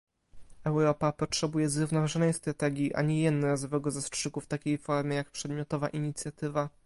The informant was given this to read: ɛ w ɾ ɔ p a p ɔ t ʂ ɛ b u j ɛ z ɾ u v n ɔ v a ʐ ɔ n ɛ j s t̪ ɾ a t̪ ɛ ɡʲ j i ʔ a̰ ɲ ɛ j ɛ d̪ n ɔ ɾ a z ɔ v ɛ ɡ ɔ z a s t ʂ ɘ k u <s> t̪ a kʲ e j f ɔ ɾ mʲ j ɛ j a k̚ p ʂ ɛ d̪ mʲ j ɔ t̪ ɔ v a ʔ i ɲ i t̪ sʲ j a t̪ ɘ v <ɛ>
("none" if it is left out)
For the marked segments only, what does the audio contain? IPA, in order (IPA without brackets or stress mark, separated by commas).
f, a